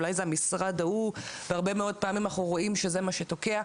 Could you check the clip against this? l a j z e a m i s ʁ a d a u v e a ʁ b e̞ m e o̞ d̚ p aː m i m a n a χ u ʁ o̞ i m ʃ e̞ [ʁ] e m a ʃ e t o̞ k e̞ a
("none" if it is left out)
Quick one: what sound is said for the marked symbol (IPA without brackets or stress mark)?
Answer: z